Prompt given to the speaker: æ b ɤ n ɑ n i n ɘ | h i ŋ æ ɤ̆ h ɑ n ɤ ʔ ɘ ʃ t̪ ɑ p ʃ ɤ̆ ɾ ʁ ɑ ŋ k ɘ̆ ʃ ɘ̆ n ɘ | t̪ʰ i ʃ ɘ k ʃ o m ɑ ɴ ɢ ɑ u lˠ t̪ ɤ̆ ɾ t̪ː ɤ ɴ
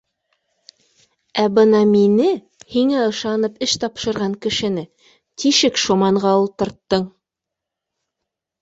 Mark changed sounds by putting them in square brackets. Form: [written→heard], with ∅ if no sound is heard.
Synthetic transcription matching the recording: æ b ɤ n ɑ [n→m] i n ɘ | h i ŋ æ ɤ̆ [h→ʃ] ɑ n ɤ [ʔ→p] ɘ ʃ t̪ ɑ p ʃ ɤ̆ ɾ ʁ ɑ ŋ k ɘ̆ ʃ ɘ̆ n ɘ | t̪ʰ i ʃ ɘ k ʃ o m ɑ ɴ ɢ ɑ u lˠ t̪ ɤ̆ ɾ t̪ː ɤ ɴ

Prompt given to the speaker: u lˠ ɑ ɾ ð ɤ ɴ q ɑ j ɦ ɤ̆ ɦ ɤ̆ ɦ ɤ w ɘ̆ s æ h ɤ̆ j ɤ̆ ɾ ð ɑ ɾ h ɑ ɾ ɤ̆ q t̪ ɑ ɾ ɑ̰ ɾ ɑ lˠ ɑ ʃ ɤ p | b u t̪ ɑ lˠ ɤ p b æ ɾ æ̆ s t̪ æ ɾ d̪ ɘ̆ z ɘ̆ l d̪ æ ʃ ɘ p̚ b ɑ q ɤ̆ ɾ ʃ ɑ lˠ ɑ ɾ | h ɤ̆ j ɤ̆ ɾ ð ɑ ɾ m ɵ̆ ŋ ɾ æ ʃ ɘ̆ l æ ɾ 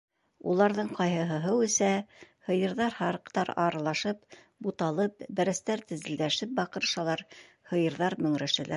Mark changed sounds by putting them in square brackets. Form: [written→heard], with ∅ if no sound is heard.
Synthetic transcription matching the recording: u lˠ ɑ ɾ ð ɤ ɴ q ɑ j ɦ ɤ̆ ɦ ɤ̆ ɦ ɤ w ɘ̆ s æ h ɤ̆ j ɤ̆ ɾ ð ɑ ɾ h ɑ ɾ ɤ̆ q t̪ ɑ ɾ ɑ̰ ɾ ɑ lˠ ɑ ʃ ɤ p | b u t̪ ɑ lˠ ɤ p b æ ɾ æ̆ s t̪ æ ɾ [d̪→t̪] ɘ̆ z ɘ̆ l d̪ æ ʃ ɘ p̚ b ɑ q ɤ̆ ɾ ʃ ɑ lˠ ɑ ɾ | h ɤ̆ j ɤ̆ ɾ ð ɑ ɾ m ɵ̆ ŋ ɾ æ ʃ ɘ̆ l æ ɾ

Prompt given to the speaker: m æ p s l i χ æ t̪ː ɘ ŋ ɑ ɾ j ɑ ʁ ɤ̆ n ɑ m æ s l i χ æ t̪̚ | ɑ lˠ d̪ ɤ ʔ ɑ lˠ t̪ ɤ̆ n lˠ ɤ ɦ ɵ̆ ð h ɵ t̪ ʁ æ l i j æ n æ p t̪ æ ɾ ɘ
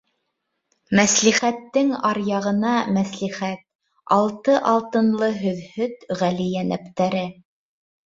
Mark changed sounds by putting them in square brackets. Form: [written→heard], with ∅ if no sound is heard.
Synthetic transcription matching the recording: m æ [p→∅] s l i χ æ t̪ː ɘ ŋ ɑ ɾ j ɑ ʁ ɤ̆ n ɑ m æ s l i χ æ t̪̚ | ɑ lˠ [d̪→t̪] ɤ ʔ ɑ lˠ t̪ ɤ̆ n lˠ ɤ ɦ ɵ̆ ð h ɵ t̪ ʁ æ l i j æ n æ p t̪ æ ɾ ɘ

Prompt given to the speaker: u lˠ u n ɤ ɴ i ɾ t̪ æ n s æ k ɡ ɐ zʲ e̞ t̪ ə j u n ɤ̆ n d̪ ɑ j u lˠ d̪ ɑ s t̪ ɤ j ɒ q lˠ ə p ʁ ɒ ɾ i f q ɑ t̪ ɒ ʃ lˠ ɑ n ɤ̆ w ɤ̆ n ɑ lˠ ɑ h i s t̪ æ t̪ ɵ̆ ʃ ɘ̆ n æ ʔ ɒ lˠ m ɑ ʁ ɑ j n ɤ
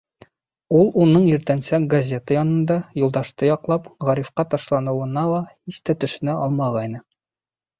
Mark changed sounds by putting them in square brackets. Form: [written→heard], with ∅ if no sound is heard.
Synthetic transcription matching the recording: u lˠ u n ɤ ɴ i ɾ t̪ æ n s æ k ɡ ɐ zʲ e̞ t̪ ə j [u→ɒ] n ɤ̆ n d̪ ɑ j u lˠ d̪ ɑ [s→ʃ] t̪ ɤ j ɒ q lˠ [ə→ɑ] p ʁ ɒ ɾ i f q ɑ t̪ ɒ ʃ lˠ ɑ n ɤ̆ w ɤ̆ n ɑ lˠ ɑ h i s t̪ æ t̪ ɵ̆ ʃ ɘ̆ n æ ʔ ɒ lˠ m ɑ ʁ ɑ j n ɤ

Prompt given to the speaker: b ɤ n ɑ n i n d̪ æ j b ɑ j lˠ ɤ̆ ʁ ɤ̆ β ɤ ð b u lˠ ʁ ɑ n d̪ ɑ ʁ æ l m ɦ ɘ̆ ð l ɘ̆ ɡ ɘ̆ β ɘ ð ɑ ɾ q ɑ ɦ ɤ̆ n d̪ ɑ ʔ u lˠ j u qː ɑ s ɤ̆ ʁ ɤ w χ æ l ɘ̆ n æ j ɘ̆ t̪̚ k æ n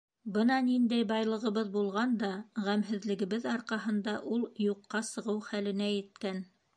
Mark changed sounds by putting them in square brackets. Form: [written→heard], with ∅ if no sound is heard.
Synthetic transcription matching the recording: b ɤ n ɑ n i n d̪ æ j b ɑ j lˠ ɤ̆ ʁ ɤ̆ β ɤ ð b u lˠ ʁ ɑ n d̪ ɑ ʁ æ [l→∅] m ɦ ɘ̆ ð l ɘ̆ ɡ ɘ̆ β ɘ ð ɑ ɾ q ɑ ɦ ɤ̆ n d̪ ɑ ʔ u lˠ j u qː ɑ s ɤ̆ ʁ ɤ w χ æ l ɘ̆ n æ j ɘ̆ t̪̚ k æ n

